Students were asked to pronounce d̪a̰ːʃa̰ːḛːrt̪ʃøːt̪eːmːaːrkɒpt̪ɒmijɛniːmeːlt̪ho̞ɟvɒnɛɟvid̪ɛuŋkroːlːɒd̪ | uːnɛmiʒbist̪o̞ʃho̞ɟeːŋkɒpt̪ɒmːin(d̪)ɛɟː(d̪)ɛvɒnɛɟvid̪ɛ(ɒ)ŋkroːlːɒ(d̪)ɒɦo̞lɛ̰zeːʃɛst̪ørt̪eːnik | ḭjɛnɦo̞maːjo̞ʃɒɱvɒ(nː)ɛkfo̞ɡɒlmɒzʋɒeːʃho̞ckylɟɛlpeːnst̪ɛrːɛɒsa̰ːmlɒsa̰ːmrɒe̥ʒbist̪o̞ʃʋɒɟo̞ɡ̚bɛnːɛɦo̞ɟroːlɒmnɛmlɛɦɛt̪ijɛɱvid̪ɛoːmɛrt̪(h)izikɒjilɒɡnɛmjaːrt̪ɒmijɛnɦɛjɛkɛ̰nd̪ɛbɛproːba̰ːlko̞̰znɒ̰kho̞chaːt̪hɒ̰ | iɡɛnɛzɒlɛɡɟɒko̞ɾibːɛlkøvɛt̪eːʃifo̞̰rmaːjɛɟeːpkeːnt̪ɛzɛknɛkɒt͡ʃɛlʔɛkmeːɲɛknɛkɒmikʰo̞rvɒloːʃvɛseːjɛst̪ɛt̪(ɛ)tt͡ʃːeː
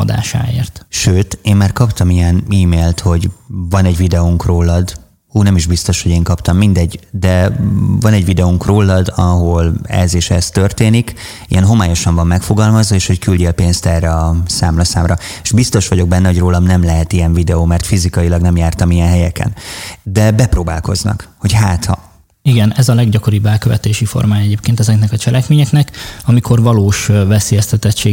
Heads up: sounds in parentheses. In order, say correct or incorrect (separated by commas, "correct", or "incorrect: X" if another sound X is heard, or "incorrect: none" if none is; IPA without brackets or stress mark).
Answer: correct, correct, incorrect: u, correct, incorrect: mː, incorrect: f, correct